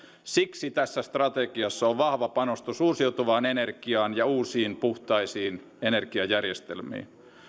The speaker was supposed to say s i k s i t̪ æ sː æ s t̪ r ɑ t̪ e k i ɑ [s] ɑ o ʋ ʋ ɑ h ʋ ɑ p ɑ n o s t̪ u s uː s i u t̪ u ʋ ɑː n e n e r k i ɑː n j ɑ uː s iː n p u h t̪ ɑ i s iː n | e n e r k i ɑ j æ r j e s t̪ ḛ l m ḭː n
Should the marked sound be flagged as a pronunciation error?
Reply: yes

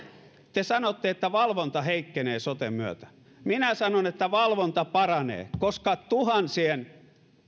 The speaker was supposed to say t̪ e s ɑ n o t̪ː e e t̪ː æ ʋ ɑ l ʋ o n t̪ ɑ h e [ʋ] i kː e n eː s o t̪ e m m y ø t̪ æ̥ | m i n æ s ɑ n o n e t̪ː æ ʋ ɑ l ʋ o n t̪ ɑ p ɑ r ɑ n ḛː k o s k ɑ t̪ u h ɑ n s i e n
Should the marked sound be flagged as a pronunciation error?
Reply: yes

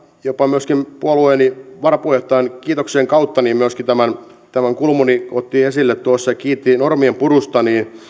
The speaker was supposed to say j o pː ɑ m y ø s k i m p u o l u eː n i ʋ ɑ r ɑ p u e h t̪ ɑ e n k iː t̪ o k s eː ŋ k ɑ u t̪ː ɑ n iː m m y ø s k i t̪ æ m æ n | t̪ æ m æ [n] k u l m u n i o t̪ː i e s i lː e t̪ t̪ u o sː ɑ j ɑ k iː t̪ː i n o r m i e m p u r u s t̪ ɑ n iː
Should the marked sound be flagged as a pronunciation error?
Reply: yes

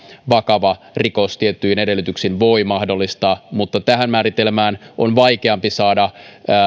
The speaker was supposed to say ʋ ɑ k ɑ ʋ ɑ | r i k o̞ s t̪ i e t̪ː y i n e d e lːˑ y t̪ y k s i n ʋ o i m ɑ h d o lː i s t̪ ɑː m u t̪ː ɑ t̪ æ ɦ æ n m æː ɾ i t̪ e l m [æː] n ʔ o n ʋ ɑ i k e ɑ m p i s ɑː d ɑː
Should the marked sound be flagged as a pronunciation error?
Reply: no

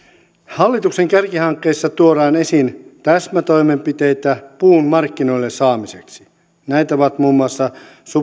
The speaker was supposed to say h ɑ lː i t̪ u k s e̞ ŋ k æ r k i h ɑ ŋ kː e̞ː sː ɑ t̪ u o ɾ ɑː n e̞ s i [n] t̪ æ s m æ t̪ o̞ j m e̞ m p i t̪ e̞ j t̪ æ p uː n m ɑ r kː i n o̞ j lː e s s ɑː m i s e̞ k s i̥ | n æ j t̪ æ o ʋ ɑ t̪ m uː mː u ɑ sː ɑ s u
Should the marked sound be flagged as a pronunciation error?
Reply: no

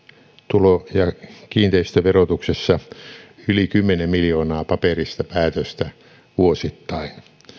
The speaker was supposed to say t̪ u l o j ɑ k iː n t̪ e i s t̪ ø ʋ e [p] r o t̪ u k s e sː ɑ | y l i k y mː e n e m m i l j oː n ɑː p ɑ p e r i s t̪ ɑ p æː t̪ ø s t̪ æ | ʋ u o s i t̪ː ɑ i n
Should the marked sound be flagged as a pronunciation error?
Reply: yes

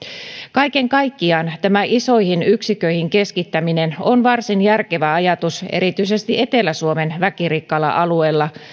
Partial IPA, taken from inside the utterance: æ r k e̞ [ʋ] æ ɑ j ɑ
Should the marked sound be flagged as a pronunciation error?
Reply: no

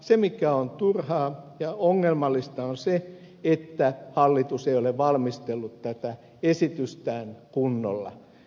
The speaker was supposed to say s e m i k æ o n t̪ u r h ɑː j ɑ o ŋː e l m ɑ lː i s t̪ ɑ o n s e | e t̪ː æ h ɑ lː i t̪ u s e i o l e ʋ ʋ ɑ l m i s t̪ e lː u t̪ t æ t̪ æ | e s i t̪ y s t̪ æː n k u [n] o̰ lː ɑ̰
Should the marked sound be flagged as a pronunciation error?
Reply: yes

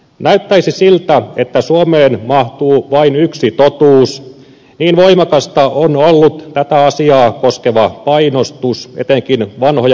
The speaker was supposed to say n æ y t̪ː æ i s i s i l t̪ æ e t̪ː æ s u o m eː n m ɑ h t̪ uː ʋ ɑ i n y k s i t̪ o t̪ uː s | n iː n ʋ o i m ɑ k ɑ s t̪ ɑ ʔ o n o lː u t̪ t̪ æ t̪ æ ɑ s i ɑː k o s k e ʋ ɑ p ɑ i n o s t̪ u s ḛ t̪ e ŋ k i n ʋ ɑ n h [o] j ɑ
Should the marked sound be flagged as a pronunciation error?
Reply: no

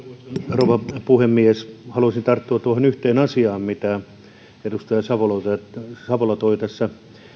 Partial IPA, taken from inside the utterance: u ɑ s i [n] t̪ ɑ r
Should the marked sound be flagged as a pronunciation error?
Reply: no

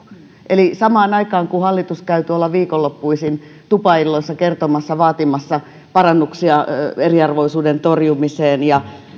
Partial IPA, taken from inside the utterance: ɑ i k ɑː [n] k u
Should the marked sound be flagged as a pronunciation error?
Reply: yes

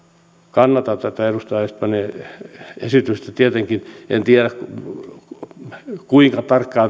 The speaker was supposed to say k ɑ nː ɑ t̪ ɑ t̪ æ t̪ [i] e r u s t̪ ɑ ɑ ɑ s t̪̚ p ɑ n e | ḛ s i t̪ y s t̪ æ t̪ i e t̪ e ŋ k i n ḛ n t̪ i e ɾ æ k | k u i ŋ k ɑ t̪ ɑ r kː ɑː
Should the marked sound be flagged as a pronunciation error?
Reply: yes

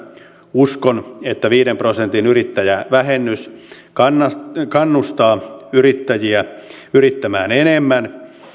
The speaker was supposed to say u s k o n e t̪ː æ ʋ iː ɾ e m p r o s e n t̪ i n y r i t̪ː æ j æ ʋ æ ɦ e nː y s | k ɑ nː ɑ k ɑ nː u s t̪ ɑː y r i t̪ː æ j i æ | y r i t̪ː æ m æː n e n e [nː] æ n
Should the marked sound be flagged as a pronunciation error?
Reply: yes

